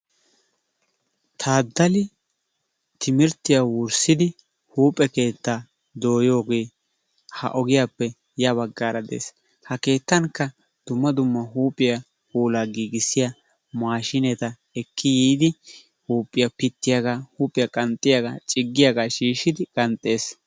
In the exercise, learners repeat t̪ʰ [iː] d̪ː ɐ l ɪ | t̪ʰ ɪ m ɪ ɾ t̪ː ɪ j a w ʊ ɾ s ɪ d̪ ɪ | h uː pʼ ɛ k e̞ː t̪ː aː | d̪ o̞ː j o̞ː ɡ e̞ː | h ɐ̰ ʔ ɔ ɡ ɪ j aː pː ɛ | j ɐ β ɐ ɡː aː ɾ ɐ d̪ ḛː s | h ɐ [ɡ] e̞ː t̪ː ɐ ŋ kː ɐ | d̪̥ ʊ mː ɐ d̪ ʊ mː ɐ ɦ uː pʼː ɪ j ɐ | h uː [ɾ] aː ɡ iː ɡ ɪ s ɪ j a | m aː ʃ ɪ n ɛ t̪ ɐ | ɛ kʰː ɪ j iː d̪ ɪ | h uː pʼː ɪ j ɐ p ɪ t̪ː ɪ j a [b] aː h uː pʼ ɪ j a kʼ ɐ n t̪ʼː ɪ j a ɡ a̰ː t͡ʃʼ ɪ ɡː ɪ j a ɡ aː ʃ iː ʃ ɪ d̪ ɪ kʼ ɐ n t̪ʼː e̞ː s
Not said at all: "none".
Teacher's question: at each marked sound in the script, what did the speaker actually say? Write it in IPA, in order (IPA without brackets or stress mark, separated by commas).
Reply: aː, k, l, ɡ